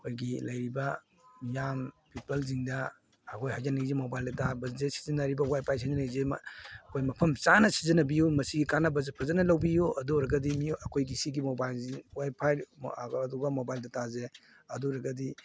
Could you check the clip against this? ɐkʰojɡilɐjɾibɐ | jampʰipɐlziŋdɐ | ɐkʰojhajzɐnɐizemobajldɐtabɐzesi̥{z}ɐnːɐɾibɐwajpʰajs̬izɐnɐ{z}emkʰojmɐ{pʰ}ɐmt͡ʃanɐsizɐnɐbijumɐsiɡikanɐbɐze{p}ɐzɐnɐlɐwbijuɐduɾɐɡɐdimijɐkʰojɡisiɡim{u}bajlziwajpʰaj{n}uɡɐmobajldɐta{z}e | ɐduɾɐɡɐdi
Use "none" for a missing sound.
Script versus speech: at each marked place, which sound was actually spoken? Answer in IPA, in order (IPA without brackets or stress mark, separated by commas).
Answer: z, z, pʰ, pʰ, o, d, z